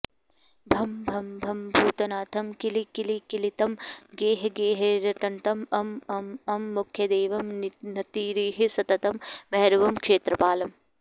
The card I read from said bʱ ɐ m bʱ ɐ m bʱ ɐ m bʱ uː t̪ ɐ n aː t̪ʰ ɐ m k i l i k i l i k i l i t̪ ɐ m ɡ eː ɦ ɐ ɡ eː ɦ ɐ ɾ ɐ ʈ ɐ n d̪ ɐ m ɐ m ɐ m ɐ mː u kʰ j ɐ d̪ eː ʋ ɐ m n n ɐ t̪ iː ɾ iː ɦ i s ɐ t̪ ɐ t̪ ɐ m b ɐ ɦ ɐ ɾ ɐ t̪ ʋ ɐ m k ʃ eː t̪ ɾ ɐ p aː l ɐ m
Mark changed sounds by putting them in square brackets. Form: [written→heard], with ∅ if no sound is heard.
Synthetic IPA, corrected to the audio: bʱ ɐ m bʱ ɐ m bʱ ɐ m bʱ uː t̪ ɐ n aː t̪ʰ ɐ m k i l i k i l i k i l i t̪ ɐ m ɡ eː ɦ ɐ ɡ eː ɦ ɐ ɾ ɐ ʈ ɐ n [d̪→t̪] ɐ m ɐ m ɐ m ɐ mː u kʰ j ɐ d̪ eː ʋ ɐ m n n ɐ t̪ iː ɾ iː ɦ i s ɐ t̪ ɐ t̪ ɐ m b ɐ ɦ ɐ ɾ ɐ [t̪→∅] ʋ ɐ m k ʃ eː t̪ ɾ ɐ p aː l ɐ m